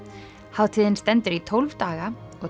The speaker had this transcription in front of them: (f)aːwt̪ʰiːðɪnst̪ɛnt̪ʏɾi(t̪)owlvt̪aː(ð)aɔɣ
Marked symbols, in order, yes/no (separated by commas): no, no, no